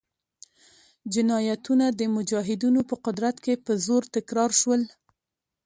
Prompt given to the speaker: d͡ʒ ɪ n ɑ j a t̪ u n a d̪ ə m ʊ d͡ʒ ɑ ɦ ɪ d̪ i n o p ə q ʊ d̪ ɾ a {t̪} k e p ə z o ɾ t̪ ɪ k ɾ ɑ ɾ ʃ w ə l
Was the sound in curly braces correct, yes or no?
yes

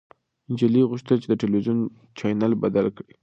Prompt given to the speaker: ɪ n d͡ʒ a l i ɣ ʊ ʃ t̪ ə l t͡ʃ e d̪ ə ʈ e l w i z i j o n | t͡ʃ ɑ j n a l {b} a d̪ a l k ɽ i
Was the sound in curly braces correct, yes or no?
yes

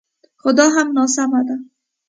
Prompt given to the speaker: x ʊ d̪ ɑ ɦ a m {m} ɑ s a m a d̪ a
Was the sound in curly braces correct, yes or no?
no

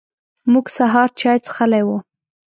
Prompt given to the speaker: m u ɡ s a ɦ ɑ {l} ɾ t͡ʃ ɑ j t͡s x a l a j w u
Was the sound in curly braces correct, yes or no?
no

